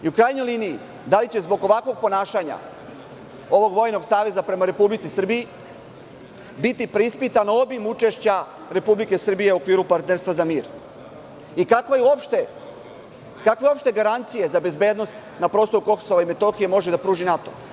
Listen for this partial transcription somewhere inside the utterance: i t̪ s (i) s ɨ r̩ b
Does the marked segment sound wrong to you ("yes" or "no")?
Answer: no